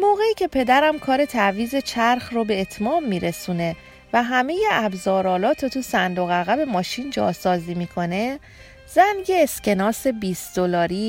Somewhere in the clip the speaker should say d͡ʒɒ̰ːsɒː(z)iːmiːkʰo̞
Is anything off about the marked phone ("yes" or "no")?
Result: no